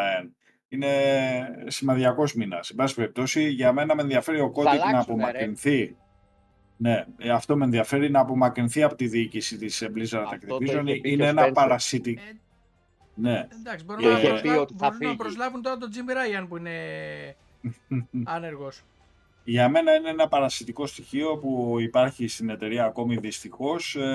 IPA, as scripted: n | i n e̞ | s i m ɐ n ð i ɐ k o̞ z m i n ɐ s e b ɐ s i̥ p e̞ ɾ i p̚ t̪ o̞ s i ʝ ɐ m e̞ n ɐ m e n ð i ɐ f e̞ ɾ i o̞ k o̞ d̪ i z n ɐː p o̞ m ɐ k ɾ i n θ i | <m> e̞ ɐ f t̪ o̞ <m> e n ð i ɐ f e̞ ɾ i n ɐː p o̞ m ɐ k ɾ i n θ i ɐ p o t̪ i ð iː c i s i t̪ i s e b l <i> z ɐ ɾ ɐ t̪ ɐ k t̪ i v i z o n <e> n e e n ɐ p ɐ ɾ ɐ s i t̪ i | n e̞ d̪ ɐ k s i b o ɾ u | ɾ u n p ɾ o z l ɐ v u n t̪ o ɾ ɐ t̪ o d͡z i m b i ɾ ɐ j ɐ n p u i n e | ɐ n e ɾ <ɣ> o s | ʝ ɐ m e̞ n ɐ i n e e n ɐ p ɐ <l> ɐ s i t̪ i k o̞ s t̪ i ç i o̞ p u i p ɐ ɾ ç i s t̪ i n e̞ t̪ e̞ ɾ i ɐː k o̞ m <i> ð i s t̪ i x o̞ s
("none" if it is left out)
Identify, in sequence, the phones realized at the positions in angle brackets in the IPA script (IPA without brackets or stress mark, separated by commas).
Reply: n, m, i, i, ɣ, ɾ, i